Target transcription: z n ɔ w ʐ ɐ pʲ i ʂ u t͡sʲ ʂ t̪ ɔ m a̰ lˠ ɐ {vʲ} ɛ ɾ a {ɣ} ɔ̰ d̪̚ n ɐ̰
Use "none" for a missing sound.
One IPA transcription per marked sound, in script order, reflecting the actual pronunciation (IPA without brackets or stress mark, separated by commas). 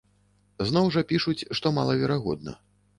vʲ, ɣ